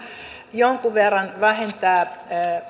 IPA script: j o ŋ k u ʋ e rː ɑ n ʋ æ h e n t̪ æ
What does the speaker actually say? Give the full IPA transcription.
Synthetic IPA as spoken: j o ŋ k u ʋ e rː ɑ n ʋ æ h e n t̪ æː